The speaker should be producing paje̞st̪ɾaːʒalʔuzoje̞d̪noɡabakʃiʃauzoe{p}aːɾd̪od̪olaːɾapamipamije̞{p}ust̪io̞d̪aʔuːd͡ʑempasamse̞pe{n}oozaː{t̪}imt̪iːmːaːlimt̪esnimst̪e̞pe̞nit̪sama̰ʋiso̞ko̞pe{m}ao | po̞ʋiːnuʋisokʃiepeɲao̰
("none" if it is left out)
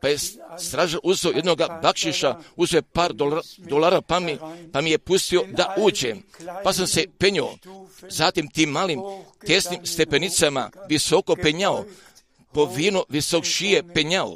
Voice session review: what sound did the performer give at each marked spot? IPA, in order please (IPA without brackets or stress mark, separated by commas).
p, p, ɲ, t̪, ɲ